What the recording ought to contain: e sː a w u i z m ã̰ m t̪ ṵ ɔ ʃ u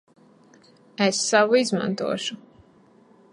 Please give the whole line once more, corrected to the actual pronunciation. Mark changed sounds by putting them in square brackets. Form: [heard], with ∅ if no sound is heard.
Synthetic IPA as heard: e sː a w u i z m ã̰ [n] t̪ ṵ ɔ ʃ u